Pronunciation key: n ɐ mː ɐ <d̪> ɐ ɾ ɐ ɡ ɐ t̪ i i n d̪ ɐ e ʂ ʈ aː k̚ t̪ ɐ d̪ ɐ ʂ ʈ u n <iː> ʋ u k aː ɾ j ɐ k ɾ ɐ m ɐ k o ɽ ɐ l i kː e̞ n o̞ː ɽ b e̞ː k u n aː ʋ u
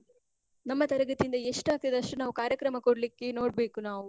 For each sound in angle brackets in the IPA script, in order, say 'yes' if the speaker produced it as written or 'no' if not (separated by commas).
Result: no, no